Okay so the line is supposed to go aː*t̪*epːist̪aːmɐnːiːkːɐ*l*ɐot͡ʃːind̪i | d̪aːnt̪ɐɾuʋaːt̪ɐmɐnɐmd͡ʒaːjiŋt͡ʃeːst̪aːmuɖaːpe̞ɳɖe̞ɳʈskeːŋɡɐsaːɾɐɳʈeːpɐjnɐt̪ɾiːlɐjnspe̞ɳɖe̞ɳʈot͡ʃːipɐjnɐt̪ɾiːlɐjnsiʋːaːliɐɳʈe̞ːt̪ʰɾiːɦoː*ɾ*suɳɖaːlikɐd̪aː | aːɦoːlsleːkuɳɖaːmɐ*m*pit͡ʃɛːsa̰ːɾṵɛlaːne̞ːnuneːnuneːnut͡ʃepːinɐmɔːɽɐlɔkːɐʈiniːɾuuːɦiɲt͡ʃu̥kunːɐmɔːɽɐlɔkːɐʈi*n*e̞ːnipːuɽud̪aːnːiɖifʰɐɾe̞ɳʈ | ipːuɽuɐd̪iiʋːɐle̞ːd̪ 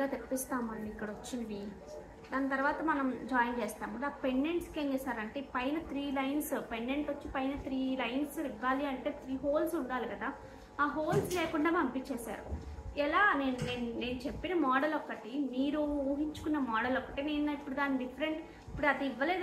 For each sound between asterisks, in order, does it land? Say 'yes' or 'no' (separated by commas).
yes, no, no, yes, yes